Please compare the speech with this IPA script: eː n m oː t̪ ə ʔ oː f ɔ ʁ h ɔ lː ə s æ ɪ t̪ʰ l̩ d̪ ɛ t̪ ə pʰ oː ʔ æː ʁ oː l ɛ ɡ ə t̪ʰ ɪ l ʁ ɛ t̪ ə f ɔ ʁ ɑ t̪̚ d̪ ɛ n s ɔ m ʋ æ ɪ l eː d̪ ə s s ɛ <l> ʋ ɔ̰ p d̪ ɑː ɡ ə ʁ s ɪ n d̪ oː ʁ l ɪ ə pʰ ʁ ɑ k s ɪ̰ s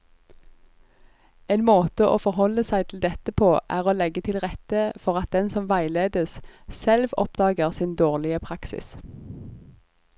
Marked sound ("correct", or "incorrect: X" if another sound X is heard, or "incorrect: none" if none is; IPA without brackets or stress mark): correct